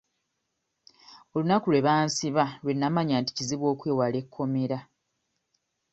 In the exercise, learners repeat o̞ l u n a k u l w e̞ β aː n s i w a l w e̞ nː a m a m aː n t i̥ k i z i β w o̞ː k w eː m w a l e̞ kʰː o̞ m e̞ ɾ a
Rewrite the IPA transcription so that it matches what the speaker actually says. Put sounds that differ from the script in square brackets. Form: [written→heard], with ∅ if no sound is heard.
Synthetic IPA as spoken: o̞ l u n a k u l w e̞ β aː n s i [w→β] a l w e̞ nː a m a [m→ɲ] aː n t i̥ [k→c] i z i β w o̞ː k w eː [m→∅] w a l e̞ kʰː o̞ m e̞ ɾ a